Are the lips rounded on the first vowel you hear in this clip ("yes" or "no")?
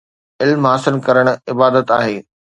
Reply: no